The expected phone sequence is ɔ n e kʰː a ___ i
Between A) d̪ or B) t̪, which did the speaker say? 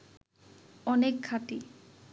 B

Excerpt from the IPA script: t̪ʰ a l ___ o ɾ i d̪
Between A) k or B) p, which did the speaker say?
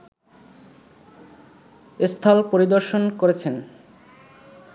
B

